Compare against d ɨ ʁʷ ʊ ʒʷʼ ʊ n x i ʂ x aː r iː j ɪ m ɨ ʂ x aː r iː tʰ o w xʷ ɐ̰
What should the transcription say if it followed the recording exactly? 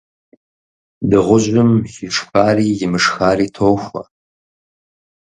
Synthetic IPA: d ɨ ʁʷ ʊ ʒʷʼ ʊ m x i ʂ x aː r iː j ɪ m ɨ ʂ x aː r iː tʰ o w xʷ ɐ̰